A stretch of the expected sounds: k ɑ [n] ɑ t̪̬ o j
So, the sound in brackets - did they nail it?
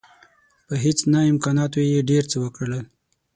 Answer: yes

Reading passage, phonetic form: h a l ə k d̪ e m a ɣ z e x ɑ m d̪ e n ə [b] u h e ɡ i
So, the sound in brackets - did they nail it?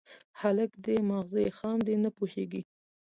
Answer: no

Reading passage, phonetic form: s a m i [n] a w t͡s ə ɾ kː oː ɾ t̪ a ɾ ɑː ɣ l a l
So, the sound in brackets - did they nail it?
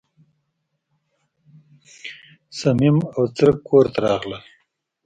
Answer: no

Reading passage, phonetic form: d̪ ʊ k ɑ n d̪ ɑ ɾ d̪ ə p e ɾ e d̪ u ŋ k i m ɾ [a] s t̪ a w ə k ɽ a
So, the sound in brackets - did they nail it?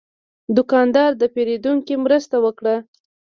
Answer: no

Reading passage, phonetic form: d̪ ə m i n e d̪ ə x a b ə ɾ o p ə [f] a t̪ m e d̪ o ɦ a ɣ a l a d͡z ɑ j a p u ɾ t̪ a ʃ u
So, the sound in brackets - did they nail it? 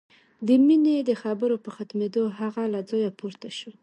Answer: no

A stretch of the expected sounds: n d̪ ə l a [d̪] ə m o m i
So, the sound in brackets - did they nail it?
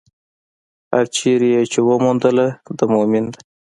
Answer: yes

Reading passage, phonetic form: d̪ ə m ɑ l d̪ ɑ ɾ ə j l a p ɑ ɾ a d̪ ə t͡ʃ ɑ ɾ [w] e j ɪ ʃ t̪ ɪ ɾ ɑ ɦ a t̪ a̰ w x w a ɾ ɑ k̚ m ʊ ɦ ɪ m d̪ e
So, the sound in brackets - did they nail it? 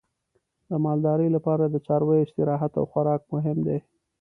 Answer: yes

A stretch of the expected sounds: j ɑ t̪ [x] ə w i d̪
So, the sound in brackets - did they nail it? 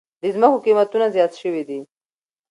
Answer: no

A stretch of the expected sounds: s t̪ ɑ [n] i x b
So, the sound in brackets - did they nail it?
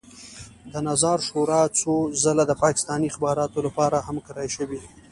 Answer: yes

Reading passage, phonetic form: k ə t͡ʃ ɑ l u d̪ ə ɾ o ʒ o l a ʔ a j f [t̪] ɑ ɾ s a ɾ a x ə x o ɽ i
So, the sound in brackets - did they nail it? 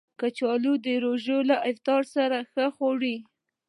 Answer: yes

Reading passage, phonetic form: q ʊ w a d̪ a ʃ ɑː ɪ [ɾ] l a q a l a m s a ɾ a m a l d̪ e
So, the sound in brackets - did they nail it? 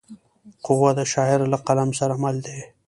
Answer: yes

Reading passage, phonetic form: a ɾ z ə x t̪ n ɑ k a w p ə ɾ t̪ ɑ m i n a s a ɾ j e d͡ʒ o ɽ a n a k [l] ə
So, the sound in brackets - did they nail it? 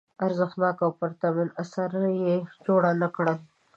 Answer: no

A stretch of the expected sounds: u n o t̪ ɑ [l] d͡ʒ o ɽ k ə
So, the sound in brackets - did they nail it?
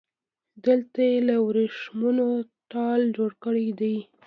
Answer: yes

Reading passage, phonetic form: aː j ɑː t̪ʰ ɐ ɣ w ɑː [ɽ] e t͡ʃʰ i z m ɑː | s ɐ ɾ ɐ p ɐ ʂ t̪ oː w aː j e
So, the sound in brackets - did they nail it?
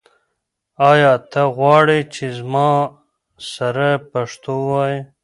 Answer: yes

